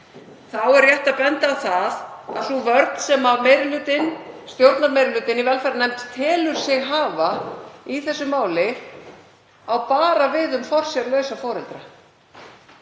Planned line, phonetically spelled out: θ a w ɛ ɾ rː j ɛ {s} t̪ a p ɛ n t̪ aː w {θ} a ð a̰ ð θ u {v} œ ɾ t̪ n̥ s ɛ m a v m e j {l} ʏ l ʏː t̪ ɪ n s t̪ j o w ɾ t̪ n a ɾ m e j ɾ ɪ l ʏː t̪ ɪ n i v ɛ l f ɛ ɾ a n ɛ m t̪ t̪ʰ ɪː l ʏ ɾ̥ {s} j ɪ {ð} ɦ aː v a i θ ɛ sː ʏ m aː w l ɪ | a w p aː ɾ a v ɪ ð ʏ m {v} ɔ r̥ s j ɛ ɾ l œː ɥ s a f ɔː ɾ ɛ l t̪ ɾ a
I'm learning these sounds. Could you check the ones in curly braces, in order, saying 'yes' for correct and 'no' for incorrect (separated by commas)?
no, yes, yes, no, yes, no, no